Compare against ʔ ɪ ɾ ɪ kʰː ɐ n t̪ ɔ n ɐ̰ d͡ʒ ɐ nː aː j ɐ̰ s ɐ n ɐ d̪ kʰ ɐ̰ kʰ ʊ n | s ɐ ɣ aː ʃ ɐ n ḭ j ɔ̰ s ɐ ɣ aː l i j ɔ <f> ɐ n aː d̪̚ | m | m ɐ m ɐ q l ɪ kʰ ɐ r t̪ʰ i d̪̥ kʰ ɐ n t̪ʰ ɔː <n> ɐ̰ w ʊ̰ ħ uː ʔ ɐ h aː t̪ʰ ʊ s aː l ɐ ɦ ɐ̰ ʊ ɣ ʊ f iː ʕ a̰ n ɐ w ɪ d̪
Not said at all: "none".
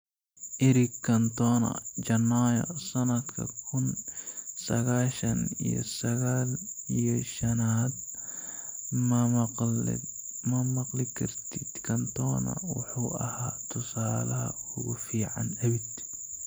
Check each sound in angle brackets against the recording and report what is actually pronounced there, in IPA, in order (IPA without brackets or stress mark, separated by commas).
ʃ, n